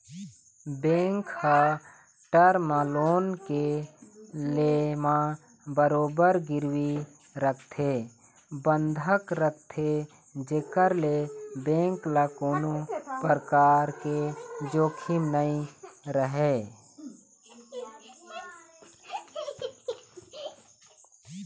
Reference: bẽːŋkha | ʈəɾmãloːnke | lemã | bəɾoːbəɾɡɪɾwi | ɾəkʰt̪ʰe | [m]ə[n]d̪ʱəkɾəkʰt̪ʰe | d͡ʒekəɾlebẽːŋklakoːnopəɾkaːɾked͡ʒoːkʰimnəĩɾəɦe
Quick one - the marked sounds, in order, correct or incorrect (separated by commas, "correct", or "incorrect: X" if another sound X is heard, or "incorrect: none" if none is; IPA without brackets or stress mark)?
incorrect: b, correct